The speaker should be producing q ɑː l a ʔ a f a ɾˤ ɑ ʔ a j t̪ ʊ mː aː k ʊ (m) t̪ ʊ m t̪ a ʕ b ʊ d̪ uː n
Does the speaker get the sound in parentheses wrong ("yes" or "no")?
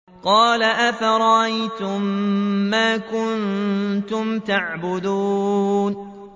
yes